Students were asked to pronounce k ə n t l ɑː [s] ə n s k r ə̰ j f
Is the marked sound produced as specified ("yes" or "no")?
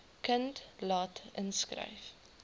no